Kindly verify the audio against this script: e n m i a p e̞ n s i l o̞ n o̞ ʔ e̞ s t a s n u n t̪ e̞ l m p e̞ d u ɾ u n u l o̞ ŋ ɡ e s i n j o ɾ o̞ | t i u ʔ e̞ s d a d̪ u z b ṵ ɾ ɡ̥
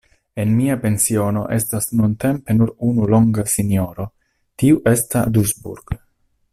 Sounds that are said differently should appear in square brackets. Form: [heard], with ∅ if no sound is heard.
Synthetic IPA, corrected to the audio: e n m i a p e̞ n s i [∅] o̞ n o̞ ʔ e̞ s t a s n u n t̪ e̞ [∅] m p e̞ [n] u ɾ u n u l o̞ ŋ ɡ [a] s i n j o ɾ o̞ | t i u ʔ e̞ s [t] a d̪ u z b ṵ ɾ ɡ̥